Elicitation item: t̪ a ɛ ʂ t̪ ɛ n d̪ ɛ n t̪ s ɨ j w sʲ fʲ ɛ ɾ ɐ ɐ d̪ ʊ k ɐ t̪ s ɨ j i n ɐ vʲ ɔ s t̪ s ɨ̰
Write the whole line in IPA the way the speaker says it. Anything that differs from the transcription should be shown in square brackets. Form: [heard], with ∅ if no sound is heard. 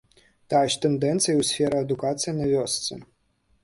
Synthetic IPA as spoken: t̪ a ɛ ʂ t̪ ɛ n d̪ ɛ n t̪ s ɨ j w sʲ fʲ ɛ ɾ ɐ ɐ d̪ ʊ k [a] t̪ s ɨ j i n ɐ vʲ ɔ s t̪ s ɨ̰